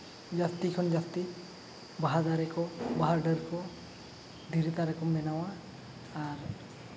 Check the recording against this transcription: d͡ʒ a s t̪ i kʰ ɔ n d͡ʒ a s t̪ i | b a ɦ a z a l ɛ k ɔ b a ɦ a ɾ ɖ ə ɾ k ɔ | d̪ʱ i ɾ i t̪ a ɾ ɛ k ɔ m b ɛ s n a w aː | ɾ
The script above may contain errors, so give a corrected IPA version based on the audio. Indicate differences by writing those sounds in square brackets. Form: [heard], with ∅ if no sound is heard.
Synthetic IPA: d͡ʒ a s t̪ i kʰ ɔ n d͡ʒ a s t̪ i | b a ɦ a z a [ɾ] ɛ k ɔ b a ɦ a ɾ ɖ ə ɾ k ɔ | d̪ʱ i ɾ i t̪ a ɾ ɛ k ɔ m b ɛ [∅] n a w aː | ɾ